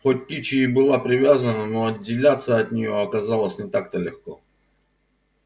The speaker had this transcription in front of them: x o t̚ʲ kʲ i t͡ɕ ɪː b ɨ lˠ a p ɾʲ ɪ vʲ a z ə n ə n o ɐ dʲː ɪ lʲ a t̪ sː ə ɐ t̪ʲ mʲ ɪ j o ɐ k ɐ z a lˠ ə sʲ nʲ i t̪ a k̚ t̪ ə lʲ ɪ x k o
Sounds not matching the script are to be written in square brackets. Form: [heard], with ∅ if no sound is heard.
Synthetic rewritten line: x o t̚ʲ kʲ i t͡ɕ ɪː b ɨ lˠ a p ɾʲ ɪ vʲ a z ə n ə n o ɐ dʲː ɪ lʲ a t̪ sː ə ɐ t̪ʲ [nʲ] ɪ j o ɐ k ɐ z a lˠ ə sʲ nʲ [ɪ] t̪ a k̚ t̪ ə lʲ ɪ x k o